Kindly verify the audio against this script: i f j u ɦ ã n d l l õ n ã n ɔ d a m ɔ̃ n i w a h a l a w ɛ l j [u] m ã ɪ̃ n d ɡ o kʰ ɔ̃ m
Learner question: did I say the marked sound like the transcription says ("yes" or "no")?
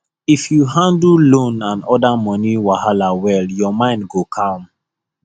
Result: no